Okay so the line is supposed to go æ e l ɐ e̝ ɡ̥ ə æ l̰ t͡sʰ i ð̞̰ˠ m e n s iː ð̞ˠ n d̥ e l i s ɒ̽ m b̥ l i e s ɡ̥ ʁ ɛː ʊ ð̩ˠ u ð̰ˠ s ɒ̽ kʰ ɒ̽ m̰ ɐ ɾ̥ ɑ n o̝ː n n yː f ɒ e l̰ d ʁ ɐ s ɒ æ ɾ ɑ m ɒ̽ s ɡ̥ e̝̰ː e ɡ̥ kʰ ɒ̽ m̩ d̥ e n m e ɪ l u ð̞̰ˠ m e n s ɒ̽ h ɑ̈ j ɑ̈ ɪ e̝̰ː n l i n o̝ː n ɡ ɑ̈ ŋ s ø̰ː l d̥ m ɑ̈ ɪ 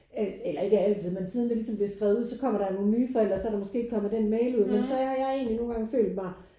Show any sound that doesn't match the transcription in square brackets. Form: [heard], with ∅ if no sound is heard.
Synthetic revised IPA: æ e l ɐ e̝ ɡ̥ ə æ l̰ t͡sʰ i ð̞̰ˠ m e n s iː ð̞ˠ n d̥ e l i s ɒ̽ m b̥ l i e s ɡ̥ ʁ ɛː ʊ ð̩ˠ u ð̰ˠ s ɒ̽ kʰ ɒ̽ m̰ ɐ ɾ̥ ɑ n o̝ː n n yː f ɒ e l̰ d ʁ ɐ s ɒ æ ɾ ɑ m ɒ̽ s ɡ̥ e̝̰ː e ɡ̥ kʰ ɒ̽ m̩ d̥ e n m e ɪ l u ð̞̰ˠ m e n s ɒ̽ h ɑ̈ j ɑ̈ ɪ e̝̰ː n l i n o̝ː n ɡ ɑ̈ ŋ [f] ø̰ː l d̥ m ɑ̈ ɪ